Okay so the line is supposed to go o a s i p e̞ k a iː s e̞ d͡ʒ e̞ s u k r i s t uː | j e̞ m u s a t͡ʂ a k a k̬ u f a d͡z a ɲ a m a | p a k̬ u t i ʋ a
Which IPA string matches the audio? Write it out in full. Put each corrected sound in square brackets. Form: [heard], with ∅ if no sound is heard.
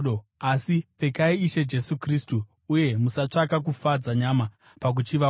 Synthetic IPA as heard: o a s i p e̞ k a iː [ʃ] e̞ d͡ʒ e̞ s u k r i s t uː | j e̞ m u s a t͡ʂ a k a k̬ u f a d͡z a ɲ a m a | p a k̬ u [t͡ʃ] i ʋ a